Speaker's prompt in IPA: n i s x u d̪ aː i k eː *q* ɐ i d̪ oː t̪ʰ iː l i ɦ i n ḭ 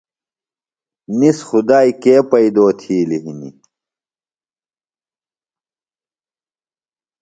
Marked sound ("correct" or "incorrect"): incorrect